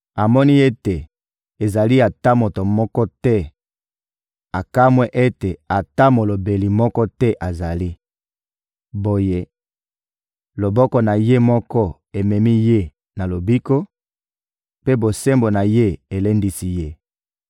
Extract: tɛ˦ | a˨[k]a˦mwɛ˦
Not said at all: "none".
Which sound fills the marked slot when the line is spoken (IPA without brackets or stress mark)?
k